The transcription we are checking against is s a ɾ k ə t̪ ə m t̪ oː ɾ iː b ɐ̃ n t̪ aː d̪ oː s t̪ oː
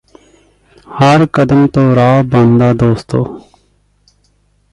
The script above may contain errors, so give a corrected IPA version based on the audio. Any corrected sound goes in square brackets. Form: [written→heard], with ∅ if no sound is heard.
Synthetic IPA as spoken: [s→h] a ɾ k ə [t̪→d̪] ə m t̪ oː ɾ [iː→aː] b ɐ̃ n [t̪→d̪] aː d̪ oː s t̪ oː

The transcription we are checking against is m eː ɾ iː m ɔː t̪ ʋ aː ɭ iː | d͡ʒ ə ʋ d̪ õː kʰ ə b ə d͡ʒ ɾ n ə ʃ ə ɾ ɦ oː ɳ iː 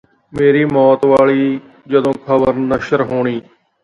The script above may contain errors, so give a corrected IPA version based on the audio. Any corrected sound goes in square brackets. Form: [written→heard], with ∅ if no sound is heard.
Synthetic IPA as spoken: m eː ɾ iː m ɔː t̪ ʋ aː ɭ iː | d͡ʒ ə [ʋ→∅] d̪ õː kʰ ə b ə [d͡ʒ→∅] ɾ n ə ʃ ə ɾ ɦ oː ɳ iː

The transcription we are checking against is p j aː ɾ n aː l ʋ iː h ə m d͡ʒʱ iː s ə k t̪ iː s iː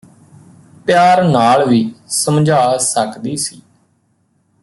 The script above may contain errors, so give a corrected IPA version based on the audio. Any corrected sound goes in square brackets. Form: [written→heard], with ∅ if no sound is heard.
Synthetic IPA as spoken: p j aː ɾ n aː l ʋ iː [h→s] ə m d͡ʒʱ [iː→aː] s ə k [t̪→d̪] iː s iː

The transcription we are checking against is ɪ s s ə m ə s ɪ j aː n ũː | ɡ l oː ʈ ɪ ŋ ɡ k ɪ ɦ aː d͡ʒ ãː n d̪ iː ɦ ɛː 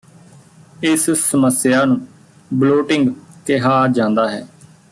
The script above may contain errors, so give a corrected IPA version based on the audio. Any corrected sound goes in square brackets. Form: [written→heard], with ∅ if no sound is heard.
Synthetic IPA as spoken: ɪ s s ə m ə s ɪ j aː n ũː | [ɡ→b] l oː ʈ ɪ ŋ ɡ k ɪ ɦ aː d͡ʒ ãː n d̪ [iː→aː] ɦ ɛː

